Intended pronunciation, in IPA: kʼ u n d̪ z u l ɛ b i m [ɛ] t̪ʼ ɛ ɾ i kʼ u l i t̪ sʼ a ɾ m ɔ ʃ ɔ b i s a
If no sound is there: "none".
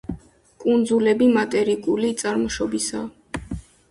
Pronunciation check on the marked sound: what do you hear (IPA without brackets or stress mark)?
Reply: a